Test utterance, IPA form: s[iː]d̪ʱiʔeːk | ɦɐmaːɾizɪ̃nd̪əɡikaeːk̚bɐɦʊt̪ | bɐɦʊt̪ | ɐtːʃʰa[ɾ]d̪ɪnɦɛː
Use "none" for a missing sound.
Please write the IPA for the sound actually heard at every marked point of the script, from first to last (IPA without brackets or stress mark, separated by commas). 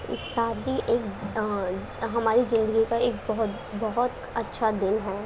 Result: aː, none